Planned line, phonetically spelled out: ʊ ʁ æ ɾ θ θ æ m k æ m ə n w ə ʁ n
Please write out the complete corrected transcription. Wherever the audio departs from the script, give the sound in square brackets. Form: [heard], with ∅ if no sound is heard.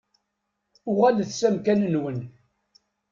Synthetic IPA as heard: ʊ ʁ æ [l] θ [s] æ m k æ [n] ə n w ə [∅] n